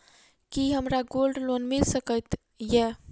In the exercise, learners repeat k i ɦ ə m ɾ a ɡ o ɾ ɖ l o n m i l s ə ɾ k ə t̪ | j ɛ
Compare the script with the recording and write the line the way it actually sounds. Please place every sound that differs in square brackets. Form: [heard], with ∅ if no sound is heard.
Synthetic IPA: k i ɦ ə m ɾ a ɡ o [l] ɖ l o n m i l s ə [∅] k ə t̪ | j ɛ